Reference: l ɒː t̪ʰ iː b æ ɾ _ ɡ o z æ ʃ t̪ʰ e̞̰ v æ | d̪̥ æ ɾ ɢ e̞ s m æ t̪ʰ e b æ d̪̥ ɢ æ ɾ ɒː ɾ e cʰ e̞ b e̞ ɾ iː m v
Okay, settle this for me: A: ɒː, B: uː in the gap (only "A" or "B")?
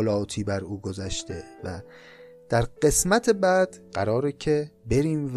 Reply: B